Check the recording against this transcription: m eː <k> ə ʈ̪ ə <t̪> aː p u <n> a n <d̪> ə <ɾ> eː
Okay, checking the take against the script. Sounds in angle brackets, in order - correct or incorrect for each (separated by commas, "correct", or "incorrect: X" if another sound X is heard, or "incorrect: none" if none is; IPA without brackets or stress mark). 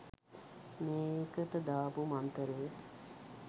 correct, incorrect: d̪, incorrect: m, incorrect: t̪, correct